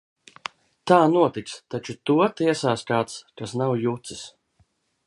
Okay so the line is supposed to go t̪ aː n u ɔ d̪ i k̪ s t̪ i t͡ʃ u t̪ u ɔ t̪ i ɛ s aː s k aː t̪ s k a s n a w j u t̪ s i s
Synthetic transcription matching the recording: t̪ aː n u ɔ t̪ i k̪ s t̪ a t͡ʃ u t̪ u ɔ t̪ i ɛ s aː s k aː t̪ s k a s n a w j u t̪ s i s